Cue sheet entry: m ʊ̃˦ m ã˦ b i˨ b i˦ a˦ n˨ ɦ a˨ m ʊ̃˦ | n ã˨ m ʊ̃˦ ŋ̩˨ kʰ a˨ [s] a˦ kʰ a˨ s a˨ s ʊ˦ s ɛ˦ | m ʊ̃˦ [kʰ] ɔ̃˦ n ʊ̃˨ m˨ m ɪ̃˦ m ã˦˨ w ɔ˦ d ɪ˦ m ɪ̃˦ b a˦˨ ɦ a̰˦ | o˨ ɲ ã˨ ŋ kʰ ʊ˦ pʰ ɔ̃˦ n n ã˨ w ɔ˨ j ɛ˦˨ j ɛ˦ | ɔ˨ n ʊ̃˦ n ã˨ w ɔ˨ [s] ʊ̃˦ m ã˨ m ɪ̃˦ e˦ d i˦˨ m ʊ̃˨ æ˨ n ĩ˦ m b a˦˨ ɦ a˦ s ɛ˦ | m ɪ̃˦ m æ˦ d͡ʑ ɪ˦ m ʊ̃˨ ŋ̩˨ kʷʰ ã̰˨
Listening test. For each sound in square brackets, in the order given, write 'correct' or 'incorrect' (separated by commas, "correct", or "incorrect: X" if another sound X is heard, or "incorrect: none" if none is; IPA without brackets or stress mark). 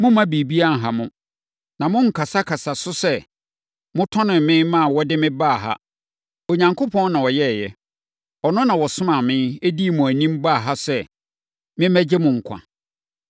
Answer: correct, incorrect: tʰ, correct